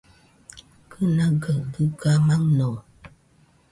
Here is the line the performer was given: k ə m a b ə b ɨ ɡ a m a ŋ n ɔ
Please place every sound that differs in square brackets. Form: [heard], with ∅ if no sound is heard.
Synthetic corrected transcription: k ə [n] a [ɡ] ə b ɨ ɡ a m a ŋ n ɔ